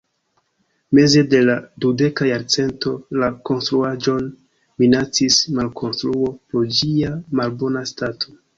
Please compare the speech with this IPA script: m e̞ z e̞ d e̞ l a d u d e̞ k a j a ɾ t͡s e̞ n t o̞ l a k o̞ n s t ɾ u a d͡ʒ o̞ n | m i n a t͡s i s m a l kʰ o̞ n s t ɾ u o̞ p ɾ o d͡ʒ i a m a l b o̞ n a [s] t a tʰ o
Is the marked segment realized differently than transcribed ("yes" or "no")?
no